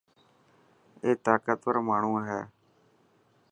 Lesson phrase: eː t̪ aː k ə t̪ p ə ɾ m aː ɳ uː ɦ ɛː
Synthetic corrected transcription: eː t̪ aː k ə t̪ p ə ɾ m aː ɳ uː ɦ ɛː

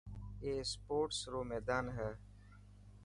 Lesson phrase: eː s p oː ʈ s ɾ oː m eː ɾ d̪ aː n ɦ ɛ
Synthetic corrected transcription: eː s p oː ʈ s ɾ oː m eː d̪ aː n ɦ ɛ

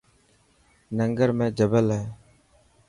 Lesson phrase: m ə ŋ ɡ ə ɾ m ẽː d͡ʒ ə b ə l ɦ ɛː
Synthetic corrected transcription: n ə ŋ ɡ ə ɾ m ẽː d͡ʒ ə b ə l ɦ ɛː

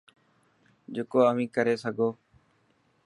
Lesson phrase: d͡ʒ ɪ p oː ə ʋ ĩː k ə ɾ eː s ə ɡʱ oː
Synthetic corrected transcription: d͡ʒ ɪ k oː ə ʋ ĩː k ə ɾ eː s ə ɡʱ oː

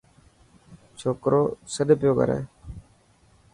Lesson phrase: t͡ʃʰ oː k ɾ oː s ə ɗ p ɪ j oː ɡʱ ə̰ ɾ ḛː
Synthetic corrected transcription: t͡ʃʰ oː k ɾ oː s ə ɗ p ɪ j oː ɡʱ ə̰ ɾ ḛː

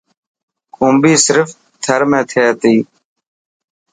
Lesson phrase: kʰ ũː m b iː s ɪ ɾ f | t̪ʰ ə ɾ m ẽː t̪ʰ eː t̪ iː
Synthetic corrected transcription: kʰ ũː m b iː s ɪ ɾ f | t̪ʰ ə ɾ m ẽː t̪ʰ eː t̪ iː

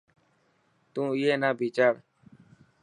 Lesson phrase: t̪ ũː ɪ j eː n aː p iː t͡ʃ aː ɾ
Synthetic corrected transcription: t̪ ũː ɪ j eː n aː b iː t͡ʃ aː ɾ

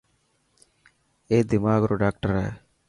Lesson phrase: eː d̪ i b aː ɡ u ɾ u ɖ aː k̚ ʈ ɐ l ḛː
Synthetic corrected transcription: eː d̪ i m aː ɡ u ɾ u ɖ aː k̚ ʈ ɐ ɾ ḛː

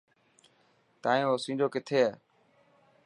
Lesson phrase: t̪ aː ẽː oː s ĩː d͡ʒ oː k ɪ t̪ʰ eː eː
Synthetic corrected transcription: t̪ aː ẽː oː s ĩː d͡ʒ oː k ɪ t̪ʰ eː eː

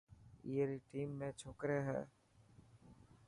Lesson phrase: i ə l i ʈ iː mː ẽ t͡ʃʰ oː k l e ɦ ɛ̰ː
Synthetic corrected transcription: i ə ɾ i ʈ iː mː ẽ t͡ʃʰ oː k ɾ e ɦ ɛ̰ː

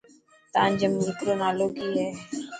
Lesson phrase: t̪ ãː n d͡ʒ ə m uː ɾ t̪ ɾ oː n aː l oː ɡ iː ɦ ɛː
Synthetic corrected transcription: t̪ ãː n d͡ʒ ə m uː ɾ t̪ ɾ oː n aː l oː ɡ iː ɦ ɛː

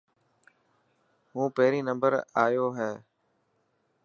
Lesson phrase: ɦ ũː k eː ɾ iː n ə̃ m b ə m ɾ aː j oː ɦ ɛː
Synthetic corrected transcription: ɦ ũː p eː ɾ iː n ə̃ m b ə ɾ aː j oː ɦ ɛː

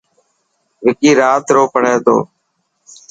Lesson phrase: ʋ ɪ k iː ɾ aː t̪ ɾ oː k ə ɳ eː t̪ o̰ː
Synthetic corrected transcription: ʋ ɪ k iː ɾ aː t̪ ɾ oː p ə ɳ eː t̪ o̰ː

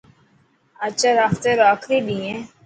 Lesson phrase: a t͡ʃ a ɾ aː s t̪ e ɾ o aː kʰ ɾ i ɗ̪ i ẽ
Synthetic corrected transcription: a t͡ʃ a ɾ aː f t̪ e ɾ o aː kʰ ɾ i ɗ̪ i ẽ

